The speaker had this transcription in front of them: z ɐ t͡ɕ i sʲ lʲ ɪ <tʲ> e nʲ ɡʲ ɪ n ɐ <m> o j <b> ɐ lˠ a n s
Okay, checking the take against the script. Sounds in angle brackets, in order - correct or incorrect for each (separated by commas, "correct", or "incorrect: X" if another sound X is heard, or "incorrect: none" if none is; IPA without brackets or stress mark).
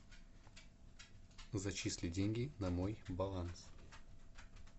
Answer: incorrect: dʲ, correct, correct